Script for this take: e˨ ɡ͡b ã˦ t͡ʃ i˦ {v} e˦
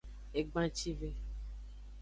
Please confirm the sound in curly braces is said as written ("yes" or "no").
yes